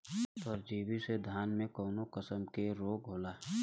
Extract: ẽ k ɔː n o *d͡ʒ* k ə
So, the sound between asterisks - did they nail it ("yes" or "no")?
no